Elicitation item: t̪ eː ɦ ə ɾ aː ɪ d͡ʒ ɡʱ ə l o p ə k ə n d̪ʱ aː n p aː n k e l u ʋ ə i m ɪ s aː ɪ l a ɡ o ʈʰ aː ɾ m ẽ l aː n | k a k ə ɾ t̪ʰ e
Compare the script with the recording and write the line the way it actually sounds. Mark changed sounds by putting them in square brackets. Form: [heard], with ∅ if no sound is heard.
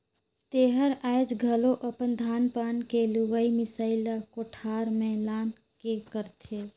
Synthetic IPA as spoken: t̪ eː ɦ ə ɾ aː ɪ d͡ʒ ɡʱ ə l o [ʔ] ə [p] ə n d̪ʱ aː n p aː n k e l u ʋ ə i m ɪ s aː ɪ l a [k] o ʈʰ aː ɾ m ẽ l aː n | k [e] k ə ɾ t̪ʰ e

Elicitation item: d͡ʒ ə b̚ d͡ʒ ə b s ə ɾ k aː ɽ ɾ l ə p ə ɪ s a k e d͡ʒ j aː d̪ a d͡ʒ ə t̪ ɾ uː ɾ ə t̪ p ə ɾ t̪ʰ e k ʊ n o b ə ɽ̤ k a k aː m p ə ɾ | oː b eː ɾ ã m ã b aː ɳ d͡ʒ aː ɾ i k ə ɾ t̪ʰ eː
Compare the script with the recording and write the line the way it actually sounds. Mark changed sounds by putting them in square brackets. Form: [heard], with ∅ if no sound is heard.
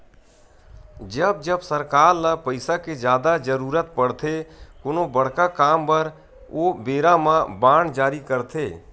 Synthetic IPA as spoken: d͡ʒ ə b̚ d͡ʒ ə b s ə ɾ k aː [∅] ɾ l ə p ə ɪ s a k e d͡ʒ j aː d̪ a d͡ʒ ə [∅] ɾ uː ɾ ə t̪ p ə [ɽ] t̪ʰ e k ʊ n o b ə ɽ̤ k a k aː m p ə ɾ | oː b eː ɾ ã m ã b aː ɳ d͡ʒ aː ɾ i k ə ɾ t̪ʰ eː

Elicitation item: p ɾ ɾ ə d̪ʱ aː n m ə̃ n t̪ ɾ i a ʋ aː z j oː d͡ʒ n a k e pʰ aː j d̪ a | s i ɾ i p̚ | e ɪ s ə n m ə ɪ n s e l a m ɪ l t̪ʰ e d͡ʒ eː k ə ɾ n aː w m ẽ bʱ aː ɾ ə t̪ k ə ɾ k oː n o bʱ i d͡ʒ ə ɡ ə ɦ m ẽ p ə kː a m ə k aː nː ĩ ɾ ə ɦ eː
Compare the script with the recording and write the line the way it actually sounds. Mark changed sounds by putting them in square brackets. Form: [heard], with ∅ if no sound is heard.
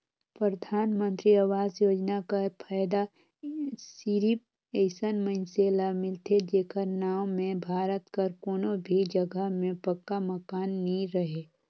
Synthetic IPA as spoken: p ɾ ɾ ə d̪ʱ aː n m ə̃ n t̪ ɾ i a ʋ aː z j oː d͡ʒ n a k [a] pʰ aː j d̪ a | s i ɾ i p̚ | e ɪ s ə n m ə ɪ n s e l a m ɪ l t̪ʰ e d͡ʒ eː k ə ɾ n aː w m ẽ bʱ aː ɾ ə t̪ k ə ɾ k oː n o bʱ i d͡ʒ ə ɡ ə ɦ m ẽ p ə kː a m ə k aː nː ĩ ɾ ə ɦ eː

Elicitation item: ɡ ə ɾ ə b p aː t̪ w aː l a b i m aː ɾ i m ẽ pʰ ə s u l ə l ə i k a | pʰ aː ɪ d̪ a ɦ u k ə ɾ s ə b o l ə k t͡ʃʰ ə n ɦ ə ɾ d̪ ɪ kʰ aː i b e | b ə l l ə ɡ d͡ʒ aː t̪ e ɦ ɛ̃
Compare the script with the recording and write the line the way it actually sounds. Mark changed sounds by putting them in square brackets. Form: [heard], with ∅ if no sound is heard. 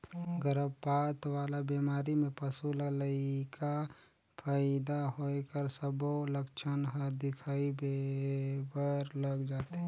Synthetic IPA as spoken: ɡ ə ɾ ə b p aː t̪ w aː l a b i m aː ɾ i m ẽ [p] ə s u l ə l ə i k a | pʰ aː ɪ d̪ a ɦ [o] k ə ɾ s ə b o l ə k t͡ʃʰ ə n ɦ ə ɾ d̪ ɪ kʰ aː i b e | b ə [ɾ] l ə ɡ d͡ʒ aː t̪ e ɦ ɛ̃

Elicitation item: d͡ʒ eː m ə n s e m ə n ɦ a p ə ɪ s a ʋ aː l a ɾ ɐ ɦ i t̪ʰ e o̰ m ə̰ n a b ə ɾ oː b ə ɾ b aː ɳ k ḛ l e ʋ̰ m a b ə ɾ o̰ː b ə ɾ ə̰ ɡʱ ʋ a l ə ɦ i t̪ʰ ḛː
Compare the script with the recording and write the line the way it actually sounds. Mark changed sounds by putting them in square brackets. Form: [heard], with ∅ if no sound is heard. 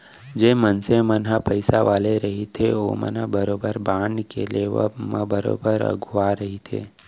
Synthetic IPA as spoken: d͡ʒ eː m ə n s e m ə n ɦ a p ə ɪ s a ʋ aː l [e] ɾ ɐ ɦ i t̪ʰ e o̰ m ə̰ n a b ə ɾ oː b ə ɾ b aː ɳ k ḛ l e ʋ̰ m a b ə ɾ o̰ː b ə ɾ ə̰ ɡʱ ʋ a [ɾ] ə ɦ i t̪ʰ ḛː

